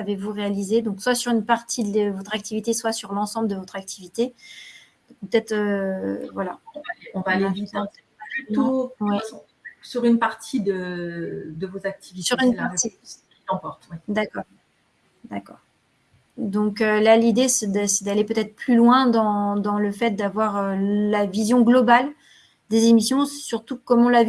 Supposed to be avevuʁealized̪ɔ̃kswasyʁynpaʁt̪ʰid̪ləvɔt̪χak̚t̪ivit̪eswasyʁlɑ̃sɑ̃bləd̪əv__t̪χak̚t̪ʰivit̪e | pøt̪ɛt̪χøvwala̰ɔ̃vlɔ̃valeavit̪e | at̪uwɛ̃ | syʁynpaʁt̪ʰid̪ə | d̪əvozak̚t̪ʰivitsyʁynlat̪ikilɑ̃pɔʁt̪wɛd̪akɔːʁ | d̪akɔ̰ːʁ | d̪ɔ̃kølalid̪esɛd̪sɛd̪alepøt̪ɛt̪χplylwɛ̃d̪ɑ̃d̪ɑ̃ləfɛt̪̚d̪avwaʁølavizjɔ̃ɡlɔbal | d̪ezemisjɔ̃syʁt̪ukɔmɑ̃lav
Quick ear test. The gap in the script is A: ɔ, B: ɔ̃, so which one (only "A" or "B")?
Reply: A